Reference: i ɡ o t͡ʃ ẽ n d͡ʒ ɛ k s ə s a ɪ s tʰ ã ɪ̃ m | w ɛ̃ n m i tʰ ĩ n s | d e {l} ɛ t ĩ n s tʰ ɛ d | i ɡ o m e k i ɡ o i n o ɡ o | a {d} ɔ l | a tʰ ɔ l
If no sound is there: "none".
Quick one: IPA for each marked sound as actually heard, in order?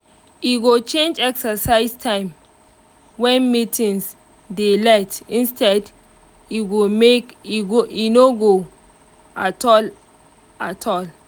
l, t

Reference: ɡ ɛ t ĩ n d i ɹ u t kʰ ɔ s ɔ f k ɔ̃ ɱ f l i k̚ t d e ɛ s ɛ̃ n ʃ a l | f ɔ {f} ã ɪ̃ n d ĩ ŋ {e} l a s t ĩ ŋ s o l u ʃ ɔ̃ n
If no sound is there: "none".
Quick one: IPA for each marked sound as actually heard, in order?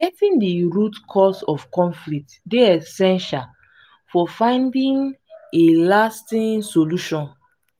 f, e

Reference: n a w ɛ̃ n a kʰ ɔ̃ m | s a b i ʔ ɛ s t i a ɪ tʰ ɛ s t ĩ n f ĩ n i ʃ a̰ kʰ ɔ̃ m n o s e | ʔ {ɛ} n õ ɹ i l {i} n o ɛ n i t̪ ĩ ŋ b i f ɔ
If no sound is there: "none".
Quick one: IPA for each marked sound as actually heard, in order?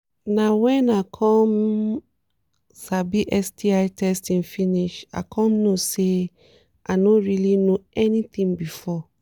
a, i

